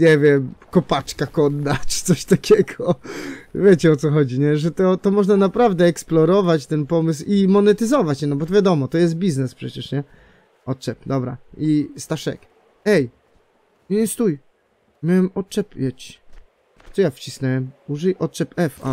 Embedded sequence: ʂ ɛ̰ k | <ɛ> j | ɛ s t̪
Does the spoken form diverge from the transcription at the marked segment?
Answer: no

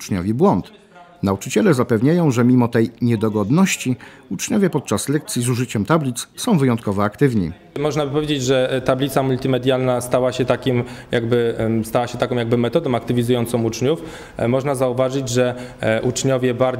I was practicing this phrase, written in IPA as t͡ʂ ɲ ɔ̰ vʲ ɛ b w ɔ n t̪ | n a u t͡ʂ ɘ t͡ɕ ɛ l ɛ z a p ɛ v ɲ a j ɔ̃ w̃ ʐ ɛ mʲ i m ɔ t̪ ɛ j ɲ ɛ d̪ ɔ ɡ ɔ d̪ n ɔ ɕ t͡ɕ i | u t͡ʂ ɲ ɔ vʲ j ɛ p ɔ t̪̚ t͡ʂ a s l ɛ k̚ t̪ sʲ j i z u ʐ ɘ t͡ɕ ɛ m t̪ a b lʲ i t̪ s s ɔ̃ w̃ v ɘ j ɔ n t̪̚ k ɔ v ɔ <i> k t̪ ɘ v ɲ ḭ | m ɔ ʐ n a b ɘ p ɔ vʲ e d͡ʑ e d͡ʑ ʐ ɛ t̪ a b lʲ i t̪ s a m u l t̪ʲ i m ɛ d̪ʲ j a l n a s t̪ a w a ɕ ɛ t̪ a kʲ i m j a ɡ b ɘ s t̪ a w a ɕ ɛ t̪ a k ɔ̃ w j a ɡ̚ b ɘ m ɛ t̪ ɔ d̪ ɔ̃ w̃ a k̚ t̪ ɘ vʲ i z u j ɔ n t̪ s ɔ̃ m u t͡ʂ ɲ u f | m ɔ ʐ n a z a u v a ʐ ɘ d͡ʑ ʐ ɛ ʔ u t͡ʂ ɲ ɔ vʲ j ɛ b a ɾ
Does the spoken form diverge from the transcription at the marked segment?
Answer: yes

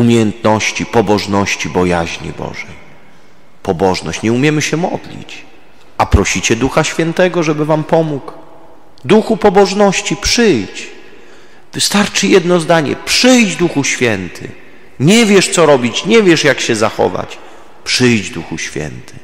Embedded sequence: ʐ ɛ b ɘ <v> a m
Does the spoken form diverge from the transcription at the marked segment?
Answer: no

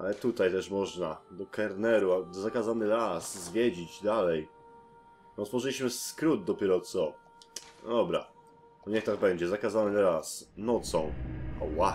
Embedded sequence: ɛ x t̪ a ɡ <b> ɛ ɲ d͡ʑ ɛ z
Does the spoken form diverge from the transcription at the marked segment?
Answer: no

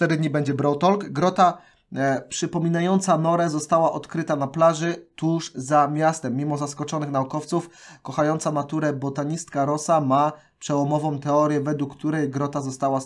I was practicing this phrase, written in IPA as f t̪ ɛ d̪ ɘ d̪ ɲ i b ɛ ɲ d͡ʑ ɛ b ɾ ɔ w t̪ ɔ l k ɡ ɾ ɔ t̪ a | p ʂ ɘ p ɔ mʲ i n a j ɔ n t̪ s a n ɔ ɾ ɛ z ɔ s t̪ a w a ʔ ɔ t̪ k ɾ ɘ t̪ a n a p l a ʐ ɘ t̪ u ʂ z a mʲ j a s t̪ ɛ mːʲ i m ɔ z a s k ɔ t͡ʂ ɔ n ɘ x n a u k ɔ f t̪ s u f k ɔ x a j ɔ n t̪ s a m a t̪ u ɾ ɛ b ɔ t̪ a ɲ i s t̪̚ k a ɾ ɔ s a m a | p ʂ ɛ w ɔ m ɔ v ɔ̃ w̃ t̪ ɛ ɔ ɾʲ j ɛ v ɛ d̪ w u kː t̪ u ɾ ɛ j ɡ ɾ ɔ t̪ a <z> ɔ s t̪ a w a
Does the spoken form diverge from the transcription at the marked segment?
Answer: no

